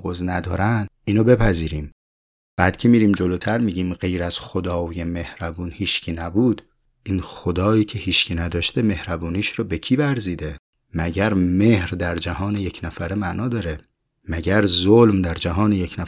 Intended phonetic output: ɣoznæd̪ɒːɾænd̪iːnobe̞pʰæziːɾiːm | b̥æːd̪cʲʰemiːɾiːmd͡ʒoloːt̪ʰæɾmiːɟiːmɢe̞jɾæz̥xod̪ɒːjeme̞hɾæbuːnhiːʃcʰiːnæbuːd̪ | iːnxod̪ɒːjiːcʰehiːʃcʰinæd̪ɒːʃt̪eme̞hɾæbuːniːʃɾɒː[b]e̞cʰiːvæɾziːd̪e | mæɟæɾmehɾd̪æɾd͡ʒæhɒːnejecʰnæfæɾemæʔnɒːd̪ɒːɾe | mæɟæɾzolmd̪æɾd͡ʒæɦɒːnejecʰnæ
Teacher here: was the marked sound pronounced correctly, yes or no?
yes